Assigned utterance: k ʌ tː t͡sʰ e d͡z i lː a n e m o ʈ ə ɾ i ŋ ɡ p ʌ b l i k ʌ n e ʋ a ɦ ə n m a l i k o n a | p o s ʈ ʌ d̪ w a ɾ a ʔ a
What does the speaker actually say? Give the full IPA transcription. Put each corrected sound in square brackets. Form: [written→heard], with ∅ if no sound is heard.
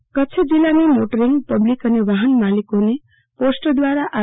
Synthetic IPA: k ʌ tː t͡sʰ e d͡z i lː a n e m o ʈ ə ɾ i ŋ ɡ p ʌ b l i k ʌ n e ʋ a ɦ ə n m a l i k o n [a→e] | p o s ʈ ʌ d̪ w a ɾ a ʔ a